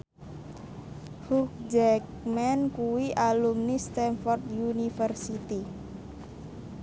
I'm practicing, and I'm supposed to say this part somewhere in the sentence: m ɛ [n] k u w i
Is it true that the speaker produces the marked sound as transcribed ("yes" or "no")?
yes